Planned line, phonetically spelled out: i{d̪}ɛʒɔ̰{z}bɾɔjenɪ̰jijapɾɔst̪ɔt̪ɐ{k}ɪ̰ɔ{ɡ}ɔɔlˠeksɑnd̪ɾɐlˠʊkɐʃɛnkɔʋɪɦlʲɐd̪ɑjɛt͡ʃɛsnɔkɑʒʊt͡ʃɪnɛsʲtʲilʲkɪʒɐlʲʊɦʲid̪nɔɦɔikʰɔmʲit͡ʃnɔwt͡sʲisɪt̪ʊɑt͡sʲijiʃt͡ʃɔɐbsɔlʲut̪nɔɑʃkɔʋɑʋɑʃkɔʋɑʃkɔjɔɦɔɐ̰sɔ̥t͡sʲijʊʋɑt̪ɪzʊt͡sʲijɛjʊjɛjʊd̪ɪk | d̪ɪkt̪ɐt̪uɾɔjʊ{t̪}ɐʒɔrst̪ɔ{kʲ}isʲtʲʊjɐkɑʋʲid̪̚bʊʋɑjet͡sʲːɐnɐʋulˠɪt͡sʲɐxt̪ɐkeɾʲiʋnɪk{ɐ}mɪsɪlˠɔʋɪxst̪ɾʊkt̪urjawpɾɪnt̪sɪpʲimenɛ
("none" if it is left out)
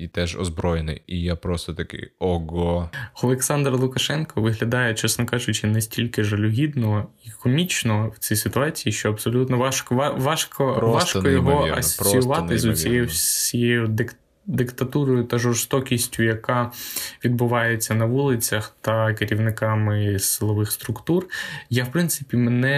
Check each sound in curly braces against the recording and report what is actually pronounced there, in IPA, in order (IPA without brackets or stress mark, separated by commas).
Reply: t̪, z, k, ɡ, t̪, kʲ, ɑ